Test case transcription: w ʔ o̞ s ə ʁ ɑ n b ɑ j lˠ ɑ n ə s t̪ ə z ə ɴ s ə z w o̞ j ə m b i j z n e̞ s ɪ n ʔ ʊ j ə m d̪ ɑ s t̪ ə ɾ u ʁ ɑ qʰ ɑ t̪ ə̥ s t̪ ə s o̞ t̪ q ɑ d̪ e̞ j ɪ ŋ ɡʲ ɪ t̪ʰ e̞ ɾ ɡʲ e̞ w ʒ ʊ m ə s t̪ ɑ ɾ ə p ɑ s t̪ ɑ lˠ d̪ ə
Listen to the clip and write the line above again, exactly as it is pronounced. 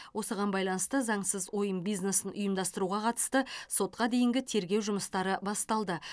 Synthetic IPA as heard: w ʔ o̞ s ə ʁ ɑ n b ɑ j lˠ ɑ n ə s t̪ ə z ɑ ɴ s ə z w o̞ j ə m b i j z n e̞ s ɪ n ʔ ʊ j ə m d̪ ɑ s t̪ ə ɾ u ʁ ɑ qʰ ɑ t̪ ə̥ s t̪ ə s o̞ t̪ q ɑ d̪ e̞ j ɪ ŋ ɡʲ ɪ t̪ʰ e̞ ɾ ɡʲ e̞ w ʒ ʊ m ə s t̪ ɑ ɾ ə b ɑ s t̪ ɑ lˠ d̪ ə